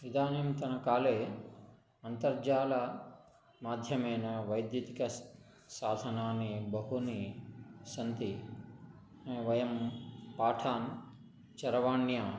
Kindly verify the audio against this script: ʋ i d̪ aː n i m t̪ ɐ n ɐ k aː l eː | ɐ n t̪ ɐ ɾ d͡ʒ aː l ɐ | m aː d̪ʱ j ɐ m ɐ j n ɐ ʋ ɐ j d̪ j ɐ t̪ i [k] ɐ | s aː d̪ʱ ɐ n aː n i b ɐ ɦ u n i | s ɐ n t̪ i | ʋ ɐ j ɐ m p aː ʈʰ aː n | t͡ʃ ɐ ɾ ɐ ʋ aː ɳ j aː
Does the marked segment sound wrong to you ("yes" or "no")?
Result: no